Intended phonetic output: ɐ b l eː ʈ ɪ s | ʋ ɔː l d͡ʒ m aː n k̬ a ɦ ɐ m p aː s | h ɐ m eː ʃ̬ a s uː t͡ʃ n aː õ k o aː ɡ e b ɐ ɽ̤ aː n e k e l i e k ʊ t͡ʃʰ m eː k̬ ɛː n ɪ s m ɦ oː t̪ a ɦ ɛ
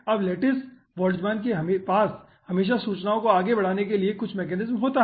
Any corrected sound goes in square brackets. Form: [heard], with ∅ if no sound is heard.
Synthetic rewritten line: ɐ b l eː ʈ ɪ s | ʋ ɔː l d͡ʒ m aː n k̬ [e] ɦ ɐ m p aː s | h ɐ m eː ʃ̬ a s uː t͡ʃ n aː õ k o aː ɡ e b ɐ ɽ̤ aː n e k e l i e k ʊ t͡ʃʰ m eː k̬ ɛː n ɪ [z] m ɦ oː t̪ a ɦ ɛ